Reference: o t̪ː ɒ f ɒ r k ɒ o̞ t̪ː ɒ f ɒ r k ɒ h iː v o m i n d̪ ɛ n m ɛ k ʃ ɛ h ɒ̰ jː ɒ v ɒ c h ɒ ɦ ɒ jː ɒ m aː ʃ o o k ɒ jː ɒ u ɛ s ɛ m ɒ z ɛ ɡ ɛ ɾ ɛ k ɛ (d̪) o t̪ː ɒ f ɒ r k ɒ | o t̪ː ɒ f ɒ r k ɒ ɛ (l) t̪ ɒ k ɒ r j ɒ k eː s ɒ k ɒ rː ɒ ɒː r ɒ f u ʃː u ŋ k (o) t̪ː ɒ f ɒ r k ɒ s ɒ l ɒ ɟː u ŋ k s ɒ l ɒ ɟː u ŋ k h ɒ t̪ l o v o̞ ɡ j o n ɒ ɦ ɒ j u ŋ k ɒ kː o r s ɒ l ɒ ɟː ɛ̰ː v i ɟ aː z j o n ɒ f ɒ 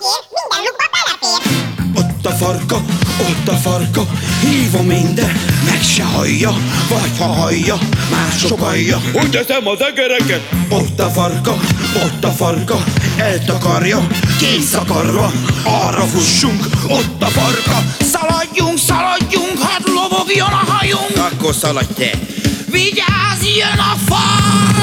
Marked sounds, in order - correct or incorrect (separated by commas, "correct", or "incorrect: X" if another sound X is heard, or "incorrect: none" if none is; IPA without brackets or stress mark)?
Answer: incorrect: t̪, correct, correct